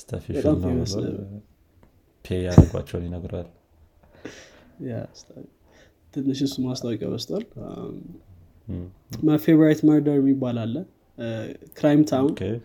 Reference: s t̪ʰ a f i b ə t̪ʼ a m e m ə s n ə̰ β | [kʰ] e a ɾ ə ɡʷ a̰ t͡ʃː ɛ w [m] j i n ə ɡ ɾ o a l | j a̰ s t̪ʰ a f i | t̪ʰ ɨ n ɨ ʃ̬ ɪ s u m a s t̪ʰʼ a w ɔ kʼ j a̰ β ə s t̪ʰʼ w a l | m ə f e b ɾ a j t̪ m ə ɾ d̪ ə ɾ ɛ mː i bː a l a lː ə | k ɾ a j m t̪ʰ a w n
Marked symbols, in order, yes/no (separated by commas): no, no